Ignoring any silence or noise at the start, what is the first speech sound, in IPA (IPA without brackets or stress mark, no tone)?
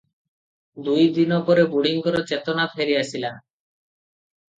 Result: d̪